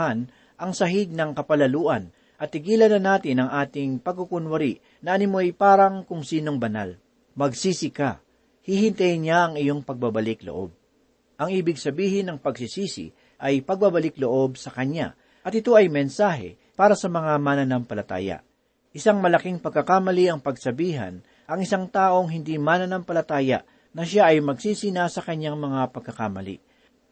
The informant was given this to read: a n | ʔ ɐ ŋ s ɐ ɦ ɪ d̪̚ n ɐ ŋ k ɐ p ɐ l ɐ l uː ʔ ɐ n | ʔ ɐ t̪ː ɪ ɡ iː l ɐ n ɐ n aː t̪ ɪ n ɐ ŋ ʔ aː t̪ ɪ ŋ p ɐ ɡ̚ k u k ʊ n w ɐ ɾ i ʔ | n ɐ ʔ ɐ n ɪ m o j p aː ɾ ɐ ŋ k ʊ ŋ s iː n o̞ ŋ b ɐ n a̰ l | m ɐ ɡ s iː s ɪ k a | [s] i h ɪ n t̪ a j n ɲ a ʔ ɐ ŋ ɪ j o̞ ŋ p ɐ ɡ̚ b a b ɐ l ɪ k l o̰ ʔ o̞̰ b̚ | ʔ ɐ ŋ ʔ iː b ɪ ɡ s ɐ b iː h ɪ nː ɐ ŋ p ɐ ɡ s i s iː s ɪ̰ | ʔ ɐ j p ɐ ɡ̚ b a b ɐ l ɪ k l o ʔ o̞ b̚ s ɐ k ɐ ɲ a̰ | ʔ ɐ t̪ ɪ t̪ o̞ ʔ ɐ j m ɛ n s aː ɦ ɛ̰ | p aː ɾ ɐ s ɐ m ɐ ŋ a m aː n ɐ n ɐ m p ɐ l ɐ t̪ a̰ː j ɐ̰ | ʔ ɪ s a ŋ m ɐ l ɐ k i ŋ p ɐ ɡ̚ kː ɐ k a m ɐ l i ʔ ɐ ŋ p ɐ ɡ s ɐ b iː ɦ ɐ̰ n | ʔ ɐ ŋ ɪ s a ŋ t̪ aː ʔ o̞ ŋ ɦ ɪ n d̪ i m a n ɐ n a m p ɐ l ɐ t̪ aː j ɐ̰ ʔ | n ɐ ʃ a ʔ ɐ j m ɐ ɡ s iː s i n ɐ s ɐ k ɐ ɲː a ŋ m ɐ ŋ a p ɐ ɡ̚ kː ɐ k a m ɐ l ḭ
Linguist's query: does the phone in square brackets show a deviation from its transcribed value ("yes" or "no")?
yes